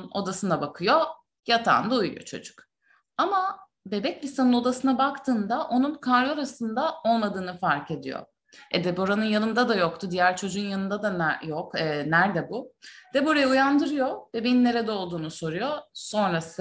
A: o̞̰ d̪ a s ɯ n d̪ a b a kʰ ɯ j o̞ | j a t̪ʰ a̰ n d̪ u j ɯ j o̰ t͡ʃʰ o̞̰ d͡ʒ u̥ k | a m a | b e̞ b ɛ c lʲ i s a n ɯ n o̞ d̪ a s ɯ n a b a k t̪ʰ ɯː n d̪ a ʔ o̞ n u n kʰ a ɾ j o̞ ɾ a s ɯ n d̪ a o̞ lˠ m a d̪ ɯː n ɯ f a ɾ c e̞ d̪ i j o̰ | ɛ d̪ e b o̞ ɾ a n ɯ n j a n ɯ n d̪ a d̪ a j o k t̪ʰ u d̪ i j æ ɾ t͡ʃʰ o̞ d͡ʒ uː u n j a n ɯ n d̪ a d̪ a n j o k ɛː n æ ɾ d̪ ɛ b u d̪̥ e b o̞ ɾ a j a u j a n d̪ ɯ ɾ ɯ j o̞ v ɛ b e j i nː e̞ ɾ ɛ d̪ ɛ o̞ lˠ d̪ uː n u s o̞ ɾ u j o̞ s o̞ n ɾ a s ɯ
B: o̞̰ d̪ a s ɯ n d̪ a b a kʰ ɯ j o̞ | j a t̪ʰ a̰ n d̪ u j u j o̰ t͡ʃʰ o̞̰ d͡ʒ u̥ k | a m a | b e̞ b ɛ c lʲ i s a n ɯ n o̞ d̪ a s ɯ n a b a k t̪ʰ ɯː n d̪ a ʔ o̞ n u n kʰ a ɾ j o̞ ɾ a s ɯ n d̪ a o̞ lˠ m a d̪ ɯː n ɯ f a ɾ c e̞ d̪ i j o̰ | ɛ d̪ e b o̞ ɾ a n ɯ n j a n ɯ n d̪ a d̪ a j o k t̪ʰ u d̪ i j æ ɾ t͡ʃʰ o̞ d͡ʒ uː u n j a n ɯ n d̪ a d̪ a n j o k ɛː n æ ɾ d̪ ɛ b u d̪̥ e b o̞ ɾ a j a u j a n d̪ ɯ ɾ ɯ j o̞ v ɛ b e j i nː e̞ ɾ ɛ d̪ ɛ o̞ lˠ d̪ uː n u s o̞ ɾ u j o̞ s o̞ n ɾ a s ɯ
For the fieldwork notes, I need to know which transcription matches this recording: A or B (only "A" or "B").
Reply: B